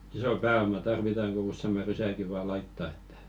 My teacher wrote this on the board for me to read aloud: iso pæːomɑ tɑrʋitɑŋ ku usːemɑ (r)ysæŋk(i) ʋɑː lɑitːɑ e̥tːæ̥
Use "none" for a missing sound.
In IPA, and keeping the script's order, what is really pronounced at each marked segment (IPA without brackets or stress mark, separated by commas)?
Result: r, i